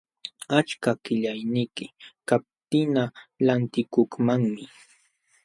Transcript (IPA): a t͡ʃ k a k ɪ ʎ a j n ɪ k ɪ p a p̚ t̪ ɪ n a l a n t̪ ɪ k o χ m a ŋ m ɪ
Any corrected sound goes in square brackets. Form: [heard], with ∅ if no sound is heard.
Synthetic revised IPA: a t͡ʃ k a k ɪ ʎ a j n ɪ k ɪ [k] a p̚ t̪ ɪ n a l a n t̪ ɪ k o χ m a ŋ m ɪ

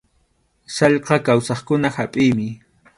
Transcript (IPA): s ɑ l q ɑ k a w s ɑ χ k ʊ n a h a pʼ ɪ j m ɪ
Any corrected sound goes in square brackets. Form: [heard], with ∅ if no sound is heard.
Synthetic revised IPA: s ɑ [ʎ] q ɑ k a w s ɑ χ k ʊ n a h a pʼ ɪ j m ɪ

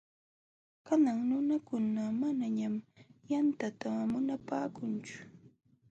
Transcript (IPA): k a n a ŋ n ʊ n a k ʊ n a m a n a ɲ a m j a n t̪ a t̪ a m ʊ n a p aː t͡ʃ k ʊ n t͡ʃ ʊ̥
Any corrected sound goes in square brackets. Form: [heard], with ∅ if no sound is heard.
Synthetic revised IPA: k a n a ŋ n ʊ n a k ʊ n a m a n a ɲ a m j a n t̪ a t̪ a m ʊ n a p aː [∅] k ʊ n t͡ʃ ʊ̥

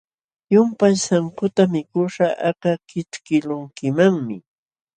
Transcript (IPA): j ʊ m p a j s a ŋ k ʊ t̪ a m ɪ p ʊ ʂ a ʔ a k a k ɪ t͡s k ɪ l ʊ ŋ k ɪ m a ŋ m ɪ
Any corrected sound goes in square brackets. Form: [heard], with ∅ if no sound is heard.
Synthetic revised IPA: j ʊ m p a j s a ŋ k ʊ t̪ a m ɪ [k] ʊ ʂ a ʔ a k a k ɪ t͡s k ɪ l ʊ ŋ k ɪ m a ŋ m ɪ

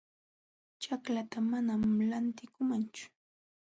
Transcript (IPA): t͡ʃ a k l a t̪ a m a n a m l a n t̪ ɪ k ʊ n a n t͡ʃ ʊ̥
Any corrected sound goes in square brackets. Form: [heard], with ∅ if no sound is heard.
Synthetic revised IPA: t͡ʃ a k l a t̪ a m a n a m l a n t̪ ɪ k ʊ [m] a n t͡ʃ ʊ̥

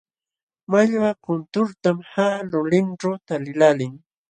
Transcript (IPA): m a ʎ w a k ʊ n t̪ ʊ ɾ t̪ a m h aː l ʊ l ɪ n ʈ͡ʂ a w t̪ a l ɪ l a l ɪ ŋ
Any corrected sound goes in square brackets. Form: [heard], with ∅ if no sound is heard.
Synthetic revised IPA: m a ʎ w a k ʊ n t̪ ʊ ɾ t̪ a m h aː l ʊ l ɪ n ʈ͡ʂ a w t̪ a l ɪ l a l ɪ ŋ

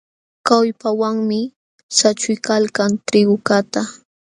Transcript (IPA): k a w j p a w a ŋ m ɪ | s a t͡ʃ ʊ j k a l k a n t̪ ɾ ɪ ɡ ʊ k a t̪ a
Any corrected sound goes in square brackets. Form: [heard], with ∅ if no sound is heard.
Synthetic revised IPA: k a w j p a w a ŋ m ɪ | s a t͡ʃ ʊ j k a l k a n t̪ ɾ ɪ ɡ ʊ k a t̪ a

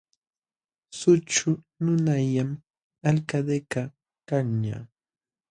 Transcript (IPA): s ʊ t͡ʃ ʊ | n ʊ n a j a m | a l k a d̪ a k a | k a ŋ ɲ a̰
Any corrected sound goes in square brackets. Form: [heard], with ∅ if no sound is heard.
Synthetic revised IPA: s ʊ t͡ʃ ʊ | n ʊ n a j a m | a l k a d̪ [e] k a | k a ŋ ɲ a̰

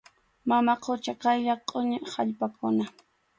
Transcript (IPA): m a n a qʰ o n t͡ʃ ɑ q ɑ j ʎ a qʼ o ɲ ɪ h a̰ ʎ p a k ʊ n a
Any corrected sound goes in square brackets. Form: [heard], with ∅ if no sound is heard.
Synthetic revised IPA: m a [m] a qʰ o [∅] t͡ʃ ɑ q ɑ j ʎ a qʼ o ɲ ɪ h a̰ ʎ p a k ʊ n a

